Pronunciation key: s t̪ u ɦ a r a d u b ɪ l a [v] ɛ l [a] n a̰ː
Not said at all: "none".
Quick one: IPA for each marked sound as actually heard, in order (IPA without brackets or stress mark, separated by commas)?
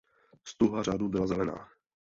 z, ɛ